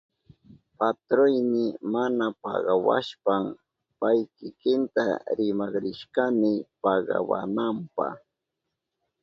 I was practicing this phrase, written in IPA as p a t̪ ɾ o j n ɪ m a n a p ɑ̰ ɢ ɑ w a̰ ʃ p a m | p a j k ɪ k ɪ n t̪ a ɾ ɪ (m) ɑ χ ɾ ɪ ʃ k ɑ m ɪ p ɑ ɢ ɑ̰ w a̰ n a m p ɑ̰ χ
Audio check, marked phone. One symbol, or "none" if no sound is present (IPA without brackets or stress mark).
m